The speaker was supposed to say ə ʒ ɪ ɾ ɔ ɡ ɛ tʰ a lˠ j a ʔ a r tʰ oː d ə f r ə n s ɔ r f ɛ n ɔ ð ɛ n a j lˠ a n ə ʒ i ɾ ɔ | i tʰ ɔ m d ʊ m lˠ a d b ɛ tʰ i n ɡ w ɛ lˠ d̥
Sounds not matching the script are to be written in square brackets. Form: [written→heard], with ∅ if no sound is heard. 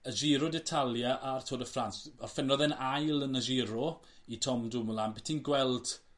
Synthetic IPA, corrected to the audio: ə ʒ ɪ ɾ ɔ [ɡ→d] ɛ tʰ a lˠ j a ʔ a r tʰ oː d ə f r [ə→a] n s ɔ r f ɛ n ɔ ð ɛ n a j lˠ [a→ə] n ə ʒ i ɾ ɔ | i tʰ ɔ m d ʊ m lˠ a [d→n] b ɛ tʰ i n ɡ w ɛ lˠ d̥